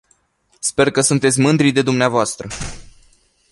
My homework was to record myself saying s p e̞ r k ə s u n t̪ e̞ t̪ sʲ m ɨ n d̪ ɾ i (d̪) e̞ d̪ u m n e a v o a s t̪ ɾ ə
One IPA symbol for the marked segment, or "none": d̪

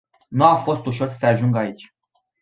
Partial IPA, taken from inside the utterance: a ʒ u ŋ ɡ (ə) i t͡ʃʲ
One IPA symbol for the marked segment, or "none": a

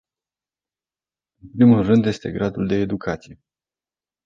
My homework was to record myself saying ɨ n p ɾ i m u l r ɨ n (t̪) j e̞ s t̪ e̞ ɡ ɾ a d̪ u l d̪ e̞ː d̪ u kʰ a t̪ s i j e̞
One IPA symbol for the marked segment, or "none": d̪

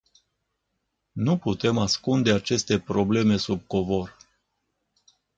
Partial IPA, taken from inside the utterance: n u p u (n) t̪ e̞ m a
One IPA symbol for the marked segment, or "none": none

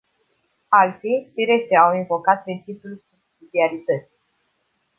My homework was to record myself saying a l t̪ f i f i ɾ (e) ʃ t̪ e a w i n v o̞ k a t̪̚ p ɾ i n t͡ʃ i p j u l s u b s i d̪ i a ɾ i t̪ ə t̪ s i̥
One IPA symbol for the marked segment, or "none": e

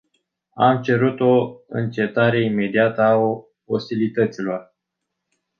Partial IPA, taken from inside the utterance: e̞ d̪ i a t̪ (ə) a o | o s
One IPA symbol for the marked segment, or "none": ə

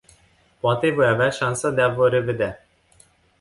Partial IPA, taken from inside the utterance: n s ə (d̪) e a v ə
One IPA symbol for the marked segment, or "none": d̪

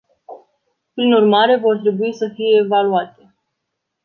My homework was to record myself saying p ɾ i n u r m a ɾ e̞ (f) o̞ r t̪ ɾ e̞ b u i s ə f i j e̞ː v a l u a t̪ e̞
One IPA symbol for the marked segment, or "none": v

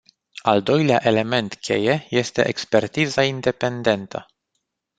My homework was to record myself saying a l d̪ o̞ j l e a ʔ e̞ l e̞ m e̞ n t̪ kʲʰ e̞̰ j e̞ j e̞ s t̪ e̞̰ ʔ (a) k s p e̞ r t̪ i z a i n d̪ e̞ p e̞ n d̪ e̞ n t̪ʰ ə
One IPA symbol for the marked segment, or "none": e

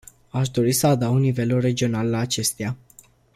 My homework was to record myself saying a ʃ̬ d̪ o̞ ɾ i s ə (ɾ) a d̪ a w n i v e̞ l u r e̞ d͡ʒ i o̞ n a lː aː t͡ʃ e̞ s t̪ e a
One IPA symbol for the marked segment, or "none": none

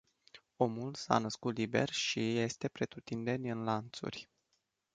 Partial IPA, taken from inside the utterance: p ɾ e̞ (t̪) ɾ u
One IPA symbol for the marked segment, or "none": t̪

